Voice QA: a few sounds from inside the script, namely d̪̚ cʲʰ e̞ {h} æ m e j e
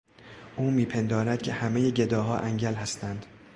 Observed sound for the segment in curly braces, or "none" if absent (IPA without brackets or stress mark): h